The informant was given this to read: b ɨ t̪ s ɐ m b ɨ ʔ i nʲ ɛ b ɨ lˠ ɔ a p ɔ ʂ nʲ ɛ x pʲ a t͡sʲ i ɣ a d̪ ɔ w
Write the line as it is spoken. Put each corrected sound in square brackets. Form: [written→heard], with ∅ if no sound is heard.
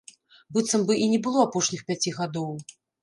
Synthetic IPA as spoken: b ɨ t̪ s ɐ m b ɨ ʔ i nʲ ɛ b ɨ lˠ ɔ a p ɔ ʂ nʲ [ɛ→i] x pʲ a t͡sʲ i ɣ a d̪ ɔ w

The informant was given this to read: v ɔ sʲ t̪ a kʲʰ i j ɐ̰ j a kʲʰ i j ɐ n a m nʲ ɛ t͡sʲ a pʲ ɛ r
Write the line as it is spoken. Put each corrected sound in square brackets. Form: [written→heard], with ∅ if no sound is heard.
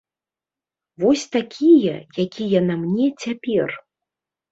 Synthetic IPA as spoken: v ɔ sʲ t̪ a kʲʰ i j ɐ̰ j a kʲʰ i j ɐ n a m nʲ ɛ t͡sʲ a pʲ ɛ r

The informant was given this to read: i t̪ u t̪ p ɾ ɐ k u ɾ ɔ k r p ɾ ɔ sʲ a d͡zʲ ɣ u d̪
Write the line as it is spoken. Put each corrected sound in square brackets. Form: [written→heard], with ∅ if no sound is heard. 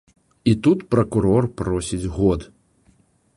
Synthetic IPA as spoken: i t̪ u t̪ p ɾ ɐ k u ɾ ɔ [k→∅] r p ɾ ɔ sʲ [a→i] d͡zʲ ɣ [u→ɔ] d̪

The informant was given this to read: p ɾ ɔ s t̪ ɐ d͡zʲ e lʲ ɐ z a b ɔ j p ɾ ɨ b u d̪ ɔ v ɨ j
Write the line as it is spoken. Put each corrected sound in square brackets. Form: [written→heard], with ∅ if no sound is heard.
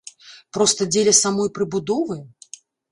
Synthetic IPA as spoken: p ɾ ɔ s t̪ ɐ d͡zʲ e lʲ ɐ [z→s] a [b→m] ɔ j p ɾ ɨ b u d̪ ɔ v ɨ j

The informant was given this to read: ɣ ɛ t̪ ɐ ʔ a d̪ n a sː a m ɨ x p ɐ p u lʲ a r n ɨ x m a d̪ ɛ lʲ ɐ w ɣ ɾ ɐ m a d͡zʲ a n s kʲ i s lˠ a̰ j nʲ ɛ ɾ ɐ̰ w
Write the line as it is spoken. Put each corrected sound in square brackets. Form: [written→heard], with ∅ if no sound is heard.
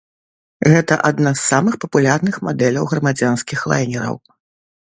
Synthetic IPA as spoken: ɣ ɛ t̪ ɐ ʔ a d̪ n a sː a m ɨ x p ɐ p u lʲ a r n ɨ x m a d̪ ɛ lʲ ɐ w ɣ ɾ ɐ m a d͡zʲ a n s kʲ i [s→x] lˠ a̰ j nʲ ɛ ɾ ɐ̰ w

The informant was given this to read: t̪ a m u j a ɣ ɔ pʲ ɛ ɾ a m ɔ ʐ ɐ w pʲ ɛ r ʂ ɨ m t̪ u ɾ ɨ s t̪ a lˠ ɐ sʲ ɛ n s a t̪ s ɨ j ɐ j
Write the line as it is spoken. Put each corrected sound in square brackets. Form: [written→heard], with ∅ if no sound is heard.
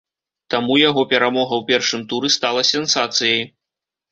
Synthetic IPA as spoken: t̪ a m u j a ɣ ɔ pʲ ɛ ɾ a m ɔ [ʐ→ɣ] ɐ w pʲ ɛ r ʂ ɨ m t̪ u ɾ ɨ s t̪ a lˠ ɐ sʲ ɛ n s a t̪ s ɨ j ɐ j

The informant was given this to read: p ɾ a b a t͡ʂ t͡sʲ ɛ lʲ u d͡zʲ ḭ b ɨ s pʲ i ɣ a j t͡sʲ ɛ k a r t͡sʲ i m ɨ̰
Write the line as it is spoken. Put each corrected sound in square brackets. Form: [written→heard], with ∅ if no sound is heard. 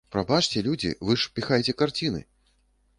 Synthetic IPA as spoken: p ɾ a b a t͡ʂ t͡sʲ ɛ lʲ u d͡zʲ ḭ [b→v] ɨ [s→ʂ] pʲ i [ɣ→x] a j t͡sʲ ɛ k a r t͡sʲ i [m→n] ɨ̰

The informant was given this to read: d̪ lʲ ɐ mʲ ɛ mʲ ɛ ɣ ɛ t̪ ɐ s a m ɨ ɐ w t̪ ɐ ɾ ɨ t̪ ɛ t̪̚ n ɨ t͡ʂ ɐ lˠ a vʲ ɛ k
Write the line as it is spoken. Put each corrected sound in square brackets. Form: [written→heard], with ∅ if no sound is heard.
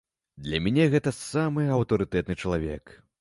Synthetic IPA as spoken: d̪ lʲ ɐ mʲ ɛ [mʲ→nʲ] ɛ ɣ ɛ t̪ ɐ s a m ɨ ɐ w t̪ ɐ ɾ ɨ t̪ ɛ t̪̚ n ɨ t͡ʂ ɐ lˠ a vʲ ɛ k

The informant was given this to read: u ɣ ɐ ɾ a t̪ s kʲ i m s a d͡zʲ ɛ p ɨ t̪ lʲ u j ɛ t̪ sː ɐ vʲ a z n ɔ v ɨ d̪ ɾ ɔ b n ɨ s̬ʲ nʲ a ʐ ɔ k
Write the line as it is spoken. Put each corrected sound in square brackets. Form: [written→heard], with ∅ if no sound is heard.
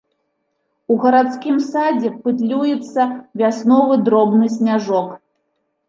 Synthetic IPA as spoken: u ɣ ɐ ɾ a t̪ s kʲ i m s a d͡zʲ ɛ p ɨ t̪ lʲ u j ɛ t̪ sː ɐ vʲ a [z→s] n ɔ v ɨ d̪ ɾ ɔ b n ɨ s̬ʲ nʲ a ʐ ɔ k

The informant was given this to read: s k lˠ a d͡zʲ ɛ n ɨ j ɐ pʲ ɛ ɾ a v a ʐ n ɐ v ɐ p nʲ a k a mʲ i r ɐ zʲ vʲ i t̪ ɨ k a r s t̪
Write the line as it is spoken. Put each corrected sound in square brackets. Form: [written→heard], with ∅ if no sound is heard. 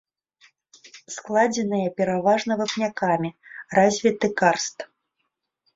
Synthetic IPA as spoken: s k lˠ a d͡zʲ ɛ n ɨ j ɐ pʲ ɛ ɾ a v a ʐ n ɐ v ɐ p nʲ a k a mʲ i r [ɐ→a] zʲ vʲ i t̪ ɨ k a r s t̪

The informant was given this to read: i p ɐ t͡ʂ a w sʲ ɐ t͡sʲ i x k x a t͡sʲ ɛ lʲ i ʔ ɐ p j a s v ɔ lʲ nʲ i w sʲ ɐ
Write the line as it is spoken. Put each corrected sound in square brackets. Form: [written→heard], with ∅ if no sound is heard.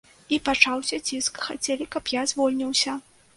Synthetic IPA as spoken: i p [ɐ→a] t͡ʂ a w sʲ ɐ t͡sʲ i [x→s] k x a t͡sʲ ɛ lʲ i [ʔ→k] ɐ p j a [s→z] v ɔ lʲ nʲ i w sʲ ɐ

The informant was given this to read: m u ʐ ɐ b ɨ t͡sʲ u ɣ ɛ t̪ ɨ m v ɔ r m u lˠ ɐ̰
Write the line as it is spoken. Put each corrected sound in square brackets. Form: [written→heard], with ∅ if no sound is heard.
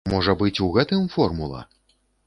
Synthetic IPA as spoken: m [u→ɔ] ʐ ɐ b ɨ t͡sʲ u ɣ ɛ t̪ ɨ m [v→f] ɔ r m u lˠ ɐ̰

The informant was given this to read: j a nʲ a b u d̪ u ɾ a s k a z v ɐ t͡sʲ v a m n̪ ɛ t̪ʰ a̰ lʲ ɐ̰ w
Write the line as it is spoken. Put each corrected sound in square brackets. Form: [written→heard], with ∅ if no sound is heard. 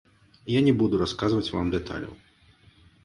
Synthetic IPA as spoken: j a nʲ [a→ɛ] b u d̪ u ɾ a s k a z v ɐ t͡sʲ v a m [n̪→d̪] ɛ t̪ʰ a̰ lʲ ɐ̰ w

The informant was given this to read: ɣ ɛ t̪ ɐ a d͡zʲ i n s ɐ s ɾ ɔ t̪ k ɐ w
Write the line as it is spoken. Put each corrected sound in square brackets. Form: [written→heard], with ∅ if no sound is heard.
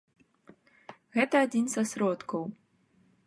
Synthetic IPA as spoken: ɣ ɛ t̪ ɐ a d͡zʲ i n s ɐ s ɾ ɔ t̪ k ɐ w

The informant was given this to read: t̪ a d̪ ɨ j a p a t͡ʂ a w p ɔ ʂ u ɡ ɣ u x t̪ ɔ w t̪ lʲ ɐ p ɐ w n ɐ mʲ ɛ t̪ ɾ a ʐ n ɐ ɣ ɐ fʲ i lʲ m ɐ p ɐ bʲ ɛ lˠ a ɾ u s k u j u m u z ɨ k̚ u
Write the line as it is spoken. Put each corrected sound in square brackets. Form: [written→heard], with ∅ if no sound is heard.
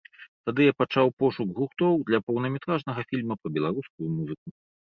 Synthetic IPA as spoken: t̪ a d̪ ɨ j a p a t͡ʂ a w p ɔ ʂ u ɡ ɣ u x t̪ ɔ w [t̪→d̪] lʲ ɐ p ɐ w n ɐ mʲ ɛ t̪ ɾ a ʐ n ɐ ɣ ɐ fʲ i lʲ m ɐ p ɐ bʲ ɛ lˠ a ɾ u s k u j u m u z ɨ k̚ u

